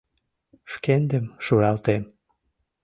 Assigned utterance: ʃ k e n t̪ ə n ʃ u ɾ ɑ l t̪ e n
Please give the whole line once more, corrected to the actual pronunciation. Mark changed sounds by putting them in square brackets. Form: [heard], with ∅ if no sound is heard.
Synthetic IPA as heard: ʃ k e n [d̪] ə [m] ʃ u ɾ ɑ l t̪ e [m]